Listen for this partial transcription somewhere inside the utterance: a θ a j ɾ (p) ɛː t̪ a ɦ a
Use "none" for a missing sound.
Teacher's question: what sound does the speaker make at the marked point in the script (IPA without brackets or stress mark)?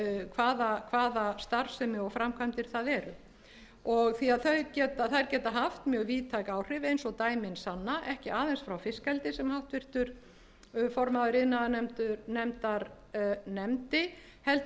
c